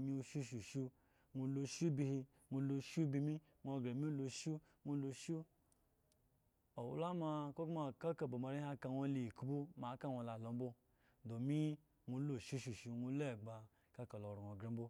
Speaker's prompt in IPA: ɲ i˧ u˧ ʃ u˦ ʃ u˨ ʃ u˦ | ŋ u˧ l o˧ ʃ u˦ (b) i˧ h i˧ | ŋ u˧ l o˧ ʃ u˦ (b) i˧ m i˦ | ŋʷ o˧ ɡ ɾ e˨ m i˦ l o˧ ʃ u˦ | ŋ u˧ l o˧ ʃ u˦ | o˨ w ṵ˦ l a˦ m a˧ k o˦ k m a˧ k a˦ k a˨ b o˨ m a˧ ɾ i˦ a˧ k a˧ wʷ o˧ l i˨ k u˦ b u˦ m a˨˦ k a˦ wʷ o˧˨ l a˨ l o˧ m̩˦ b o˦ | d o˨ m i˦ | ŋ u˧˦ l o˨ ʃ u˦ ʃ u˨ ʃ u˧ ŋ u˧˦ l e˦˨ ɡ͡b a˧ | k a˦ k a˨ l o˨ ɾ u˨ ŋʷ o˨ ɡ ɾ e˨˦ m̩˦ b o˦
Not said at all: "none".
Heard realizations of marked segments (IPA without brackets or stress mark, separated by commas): b, b